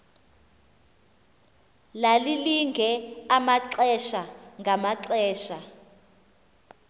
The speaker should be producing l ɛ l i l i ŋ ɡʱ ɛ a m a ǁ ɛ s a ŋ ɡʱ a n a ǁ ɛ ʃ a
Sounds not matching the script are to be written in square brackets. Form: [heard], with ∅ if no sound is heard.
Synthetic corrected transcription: l [a] l i l i ŋ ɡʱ ɛ a m a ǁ ɛ [ʃ] a ŋ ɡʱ a [m] a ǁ [ɛː] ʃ a